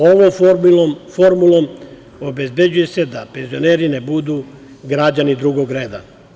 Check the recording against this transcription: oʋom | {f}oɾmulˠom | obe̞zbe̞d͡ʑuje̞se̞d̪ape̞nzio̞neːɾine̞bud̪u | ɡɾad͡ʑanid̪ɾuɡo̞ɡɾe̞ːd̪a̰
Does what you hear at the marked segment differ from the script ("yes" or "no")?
no